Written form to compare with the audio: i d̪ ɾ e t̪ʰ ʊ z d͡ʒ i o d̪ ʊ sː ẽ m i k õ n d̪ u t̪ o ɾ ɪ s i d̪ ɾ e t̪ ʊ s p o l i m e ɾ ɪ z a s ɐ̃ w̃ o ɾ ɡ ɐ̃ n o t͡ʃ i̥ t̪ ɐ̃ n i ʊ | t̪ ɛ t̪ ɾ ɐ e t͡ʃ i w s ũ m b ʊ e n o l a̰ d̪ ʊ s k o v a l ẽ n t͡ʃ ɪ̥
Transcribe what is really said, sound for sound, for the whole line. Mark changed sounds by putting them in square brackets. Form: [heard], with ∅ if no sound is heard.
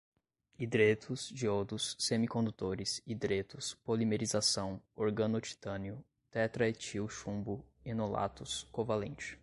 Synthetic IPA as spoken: i d̪ ɾ e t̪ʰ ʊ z d͡ʒ i o d̪ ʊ sː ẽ m i k õ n d̪ u t̪ o ɾ ɪ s i d̪ ɾ e t̪ ʊ s p o l i m e ɾ [i] z a s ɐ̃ w̃ o ɾ ɡ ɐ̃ n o t͡ʃ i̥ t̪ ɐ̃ n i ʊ | t̪ ɛ t̪ ɾ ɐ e t͡ʃ i w [ʃ] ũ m b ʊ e n o l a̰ [t̪] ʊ s k o v a l ẽ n t͡ʃ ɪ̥